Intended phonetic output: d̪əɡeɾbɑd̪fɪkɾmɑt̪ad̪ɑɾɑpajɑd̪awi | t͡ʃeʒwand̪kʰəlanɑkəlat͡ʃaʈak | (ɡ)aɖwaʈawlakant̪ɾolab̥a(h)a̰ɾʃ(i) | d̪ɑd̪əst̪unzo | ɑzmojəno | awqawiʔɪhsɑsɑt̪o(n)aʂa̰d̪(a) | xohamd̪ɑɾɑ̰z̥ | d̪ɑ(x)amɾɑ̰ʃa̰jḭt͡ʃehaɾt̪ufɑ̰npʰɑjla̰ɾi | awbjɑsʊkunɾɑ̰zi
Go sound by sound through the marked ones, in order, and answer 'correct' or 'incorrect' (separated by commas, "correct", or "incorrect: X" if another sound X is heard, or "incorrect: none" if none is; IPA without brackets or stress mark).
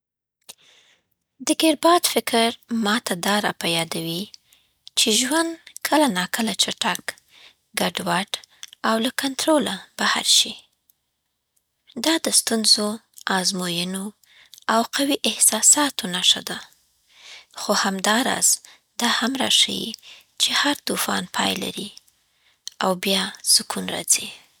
correct, correct, correct, correct, correct, incorrect: h